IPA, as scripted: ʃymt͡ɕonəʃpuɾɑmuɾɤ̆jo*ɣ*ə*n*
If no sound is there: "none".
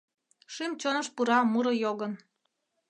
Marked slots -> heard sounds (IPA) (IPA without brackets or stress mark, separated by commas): ɣ, n